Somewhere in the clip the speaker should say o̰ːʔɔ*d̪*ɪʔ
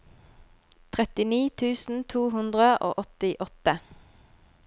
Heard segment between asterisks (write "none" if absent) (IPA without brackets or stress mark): t̪